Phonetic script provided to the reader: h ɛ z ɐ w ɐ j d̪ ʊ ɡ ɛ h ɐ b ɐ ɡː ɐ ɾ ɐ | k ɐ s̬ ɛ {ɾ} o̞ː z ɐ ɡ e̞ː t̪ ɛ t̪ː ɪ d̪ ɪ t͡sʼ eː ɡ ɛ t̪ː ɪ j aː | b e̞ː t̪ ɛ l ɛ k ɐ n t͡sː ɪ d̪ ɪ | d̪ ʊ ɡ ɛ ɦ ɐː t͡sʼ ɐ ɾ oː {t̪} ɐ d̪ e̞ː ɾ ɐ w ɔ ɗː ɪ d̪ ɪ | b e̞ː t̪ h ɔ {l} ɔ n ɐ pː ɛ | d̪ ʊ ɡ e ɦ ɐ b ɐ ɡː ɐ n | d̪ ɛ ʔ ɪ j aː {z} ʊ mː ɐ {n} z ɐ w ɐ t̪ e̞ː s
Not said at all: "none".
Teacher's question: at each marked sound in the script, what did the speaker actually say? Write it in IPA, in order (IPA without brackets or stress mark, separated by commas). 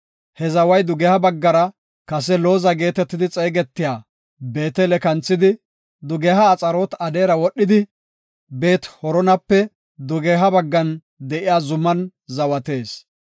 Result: l, t̪, ɾ, z, n